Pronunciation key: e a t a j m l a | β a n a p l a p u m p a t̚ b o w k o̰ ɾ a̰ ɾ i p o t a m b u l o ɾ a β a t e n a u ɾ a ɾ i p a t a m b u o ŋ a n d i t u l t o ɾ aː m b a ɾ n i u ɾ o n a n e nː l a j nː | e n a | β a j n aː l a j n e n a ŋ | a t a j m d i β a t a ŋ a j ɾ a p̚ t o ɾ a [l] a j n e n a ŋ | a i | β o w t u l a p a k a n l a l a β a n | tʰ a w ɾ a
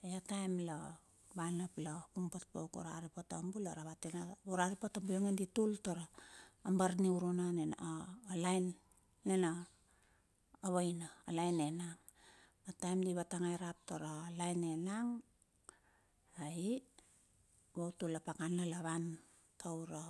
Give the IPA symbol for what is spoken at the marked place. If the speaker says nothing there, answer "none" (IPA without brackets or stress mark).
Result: l